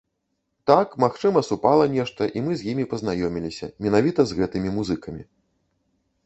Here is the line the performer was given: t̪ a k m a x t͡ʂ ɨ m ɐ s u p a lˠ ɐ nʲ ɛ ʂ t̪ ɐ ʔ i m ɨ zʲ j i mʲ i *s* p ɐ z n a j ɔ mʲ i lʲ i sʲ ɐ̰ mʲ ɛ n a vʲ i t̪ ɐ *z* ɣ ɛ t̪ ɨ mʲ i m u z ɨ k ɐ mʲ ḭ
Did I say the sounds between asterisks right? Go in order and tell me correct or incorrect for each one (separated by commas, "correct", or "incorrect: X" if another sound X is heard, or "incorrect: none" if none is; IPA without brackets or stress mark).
incorrect: none, correct